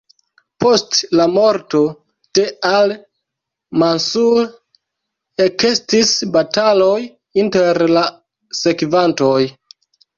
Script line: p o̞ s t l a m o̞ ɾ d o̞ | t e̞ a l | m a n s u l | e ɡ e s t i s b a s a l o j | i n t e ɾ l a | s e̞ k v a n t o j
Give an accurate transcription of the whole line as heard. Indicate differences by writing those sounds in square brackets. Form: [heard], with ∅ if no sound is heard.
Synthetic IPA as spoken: p o̞ s t l a m o̞ ɾ [t] o̞ | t e̞ a l | m a n s u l | e [k] e s t i s b a [t] a l o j | i n t e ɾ l a | s e̞ k v a n t o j